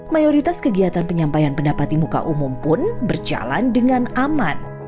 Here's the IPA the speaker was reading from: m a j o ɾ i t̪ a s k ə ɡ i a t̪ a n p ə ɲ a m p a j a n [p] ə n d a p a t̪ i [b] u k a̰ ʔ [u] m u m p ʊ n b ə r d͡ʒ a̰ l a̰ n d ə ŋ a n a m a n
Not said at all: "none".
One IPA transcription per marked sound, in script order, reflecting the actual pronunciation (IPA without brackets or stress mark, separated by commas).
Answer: p, m, u